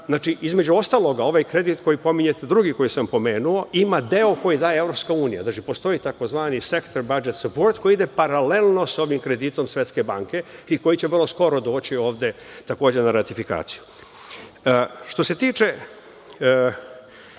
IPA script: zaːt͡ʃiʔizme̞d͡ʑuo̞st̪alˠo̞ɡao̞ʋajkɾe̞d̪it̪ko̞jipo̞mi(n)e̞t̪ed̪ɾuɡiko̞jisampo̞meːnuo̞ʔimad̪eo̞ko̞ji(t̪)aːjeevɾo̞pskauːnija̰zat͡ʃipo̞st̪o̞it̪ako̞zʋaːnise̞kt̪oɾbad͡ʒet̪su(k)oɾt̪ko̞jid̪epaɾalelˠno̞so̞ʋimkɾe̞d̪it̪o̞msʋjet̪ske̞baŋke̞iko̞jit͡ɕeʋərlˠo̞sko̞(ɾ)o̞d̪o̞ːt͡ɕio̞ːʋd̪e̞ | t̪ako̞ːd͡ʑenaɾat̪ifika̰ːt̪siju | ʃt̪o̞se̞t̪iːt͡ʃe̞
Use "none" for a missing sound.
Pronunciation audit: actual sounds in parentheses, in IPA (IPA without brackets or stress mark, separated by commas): ɲ, d̪, p, ɾ